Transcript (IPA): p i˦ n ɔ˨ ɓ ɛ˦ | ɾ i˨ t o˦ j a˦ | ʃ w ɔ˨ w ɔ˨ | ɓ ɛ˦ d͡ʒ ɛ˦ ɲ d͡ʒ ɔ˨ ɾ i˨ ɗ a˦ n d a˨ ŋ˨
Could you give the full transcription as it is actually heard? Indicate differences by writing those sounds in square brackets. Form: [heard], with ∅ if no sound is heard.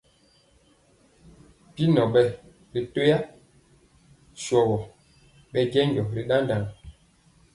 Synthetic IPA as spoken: p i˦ n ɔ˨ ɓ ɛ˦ | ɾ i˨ t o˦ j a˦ | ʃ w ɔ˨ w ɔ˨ | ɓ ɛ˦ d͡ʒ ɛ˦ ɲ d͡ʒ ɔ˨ ɾ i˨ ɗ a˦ n d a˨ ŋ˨